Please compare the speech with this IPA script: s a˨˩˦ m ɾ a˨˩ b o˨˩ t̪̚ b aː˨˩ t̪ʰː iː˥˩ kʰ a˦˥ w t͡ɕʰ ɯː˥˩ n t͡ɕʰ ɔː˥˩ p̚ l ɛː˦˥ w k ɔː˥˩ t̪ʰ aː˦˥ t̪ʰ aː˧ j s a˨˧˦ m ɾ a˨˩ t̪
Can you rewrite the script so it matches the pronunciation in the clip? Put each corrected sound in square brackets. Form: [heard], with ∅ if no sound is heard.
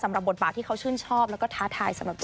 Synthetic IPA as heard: s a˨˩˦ m ɾ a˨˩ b o˨˩ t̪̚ b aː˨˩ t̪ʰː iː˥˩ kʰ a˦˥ w t͡ɕʰ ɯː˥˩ n t͡ɕʰ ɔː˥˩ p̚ l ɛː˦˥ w k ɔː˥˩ t̪ʰ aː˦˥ t̪ʰ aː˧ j s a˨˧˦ m ɾ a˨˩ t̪